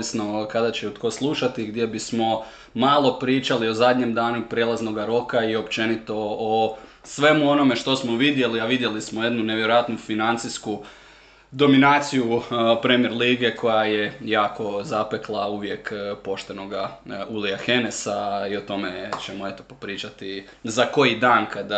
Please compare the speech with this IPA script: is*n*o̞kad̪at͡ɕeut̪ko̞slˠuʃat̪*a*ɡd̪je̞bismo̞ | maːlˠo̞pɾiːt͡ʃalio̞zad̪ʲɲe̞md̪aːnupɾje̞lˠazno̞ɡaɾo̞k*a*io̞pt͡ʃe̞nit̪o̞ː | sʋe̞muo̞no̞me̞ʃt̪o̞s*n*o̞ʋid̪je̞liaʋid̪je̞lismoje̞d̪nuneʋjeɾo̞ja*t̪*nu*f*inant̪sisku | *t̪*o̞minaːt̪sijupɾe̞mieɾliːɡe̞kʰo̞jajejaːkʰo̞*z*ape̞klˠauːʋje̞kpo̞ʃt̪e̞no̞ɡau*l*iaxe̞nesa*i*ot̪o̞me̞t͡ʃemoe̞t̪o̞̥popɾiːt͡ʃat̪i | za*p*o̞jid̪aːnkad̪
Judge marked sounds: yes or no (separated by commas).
yes, no, yes, no, yes, yes, no, yes, yes, yes, no